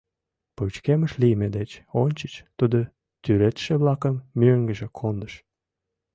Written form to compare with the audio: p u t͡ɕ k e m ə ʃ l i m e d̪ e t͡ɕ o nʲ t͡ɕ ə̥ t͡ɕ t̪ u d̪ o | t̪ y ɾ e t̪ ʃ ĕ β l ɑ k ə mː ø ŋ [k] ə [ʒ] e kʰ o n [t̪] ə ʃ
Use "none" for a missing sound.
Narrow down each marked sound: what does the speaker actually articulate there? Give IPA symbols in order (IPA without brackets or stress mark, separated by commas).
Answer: ɡ, ʒ, d̪